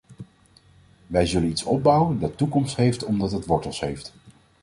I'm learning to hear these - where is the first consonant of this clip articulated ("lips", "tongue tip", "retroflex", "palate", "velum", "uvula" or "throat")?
lips